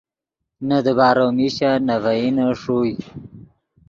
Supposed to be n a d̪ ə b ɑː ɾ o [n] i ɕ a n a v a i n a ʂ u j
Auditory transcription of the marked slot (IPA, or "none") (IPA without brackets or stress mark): m